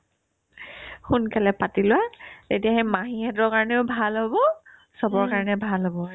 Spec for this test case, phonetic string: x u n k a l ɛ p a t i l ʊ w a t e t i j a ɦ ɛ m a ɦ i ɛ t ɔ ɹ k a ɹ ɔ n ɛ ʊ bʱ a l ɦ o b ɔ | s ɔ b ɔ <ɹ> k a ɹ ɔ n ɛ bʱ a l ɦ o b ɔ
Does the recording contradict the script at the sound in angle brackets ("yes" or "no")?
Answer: no